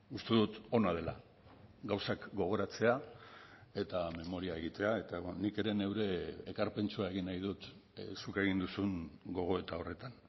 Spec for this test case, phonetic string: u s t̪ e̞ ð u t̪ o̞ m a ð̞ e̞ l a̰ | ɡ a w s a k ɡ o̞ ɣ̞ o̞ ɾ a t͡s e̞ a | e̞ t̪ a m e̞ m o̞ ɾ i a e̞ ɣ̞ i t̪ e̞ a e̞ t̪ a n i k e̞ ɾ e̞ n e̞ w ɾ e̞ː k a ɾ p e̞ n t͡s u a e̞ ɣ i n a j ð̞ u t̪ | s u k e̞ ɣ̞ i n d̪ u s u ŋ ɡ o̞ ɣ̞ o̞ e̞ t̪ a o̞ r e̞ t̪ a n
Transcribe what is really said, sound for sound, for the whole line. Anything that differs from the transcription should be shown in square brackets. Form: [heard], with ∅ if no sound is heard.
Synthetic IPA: u s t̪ e̞ ð u t̪ o̞ [n] a ð̞ e̞ l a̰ | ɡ a w s a k ɡ o̞ ɣ̞ o̞ ɾ a t͡s e̞ a | e̞ t̪ a m e̞ m o̞ ɾ i a e̞ ɣ̞ i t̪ e̞ a e̞ t̪ a n i k e̞ ɾ e̞ n e̞ w ɾ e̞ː k a ɾ p e̞ n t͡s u a e̞ ɣ i n a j ð̞ u t̪ | s u k e̞ ɣ̞ i n d̪ u s u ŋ ɡ o̞ ɣ̞ o̞ e̞ t̪ a o̞ r e̞ t̪ a n